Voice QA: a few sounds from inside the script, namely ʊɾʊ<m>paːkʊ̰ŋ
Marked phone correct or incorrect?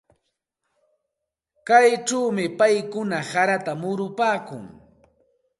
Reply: incorrect: none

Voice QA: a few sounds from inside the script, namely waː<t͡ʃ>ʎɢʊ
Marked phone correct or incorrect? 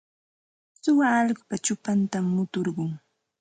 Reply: incorrect: none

